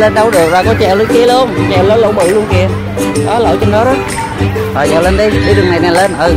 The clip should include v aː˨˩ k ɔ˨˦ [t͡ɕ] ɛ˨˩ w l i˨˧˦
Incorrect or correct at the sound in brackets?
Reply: correct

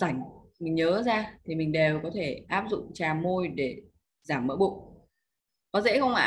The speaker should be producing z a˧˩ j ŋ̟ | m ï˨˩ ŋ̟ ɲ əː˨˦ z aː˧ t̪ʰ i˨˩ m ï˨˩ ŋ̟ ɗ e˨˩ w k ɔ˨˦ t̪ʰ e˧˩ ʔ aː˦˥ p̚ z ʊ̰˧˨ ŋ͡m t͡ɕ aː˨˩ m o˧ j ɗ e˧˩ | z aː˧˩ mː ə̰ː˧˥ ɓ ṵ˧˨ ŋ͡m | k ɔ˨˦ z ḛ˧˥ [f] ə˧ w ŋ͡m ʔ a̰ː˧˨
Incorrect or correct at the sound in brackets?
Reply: incorrect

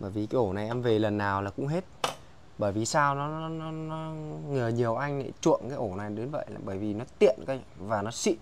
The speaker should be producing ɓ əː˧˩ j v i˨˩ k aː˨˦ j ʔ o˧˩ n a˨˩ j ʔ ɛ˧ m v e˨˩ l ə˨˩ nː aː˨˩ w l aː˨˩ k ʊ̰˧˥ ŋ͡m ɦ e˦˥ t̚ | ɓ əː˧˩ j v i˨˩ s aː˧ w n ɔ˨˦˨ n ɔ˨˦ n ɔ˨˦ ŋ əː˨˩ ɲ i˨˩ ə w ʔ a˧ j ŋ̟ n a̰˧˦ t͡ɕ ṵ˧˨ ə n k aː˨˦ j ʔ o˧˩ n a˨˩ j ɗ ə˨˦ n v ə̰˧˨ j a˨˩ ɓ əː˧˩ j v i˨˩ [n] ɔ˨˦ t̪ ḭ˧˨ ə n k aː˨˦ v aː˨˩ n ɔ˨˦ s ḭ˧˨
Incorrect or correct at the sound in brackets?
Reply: correct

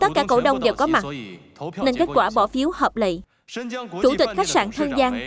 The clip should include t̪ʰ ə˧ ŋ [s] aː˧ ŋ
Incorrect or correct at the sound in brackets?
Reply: incorrect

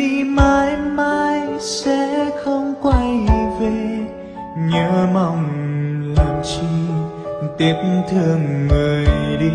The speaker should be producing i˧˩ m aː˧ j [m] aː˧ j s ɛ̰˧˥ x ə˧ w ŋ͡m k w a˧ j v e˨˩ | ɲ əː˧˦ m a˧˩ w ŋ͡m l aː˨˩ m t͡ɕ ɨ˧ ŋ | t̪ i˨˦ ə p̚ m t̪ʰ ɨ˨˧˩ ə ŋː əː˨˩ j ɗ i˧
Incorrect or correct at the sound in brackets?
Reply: correct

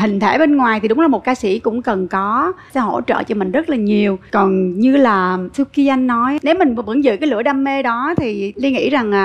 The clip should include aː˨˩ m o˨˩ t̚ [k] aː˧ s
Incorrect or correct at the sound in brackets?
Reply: correct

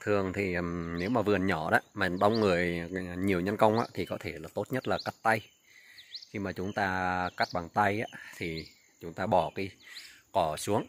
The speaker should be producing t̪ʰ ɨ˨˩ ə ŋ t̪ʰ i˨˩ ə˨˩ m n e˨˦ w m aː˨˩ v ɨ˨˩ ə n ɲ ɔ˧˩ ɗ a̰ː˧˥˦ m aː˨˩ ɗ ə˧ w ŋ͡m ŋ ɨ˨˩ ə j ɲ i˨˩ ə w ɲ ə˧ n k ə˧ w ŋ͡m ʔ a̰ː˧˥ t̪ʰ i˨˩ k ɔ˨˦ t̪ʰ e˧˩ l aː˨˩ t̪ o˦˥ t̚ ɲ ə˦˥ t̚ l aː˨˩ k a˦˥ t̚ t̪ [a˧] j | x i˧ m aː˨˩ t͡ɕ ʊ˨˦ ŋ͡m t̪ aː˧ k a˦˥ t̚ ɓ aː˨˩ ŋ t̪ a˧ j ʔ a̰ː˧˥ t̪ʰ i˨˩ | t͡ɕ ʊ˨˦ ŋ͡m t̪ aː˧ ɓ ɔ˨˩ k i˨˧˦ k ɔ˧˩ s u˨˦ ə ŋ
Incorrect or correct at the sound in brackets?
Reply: correct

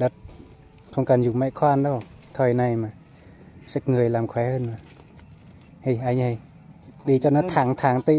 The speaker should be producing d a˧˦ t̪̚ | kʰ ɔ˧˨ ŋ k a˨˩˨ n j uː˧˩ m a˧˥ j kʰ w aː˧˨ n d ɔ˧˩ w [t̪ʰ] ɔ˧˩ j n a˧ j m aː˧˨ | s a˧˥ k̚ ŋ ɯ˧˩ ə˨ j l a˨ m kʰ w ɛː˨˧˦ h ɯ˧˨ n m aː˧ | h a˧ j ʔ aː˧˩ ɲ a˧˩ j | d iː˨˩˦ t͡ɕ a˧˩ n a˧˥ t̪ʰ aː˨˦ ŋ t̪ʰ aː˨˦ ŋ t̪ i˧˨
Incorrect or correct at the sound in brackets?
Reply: correct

